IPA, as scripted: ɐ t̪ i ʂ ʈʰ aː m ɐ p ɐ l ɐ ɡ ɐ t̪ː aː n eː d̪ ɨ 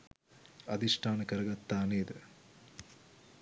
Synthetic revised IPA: ɐ d̪ i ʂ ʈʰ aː n ɐ k ɐ ɾ ɐ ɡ ɐ t̪ː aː n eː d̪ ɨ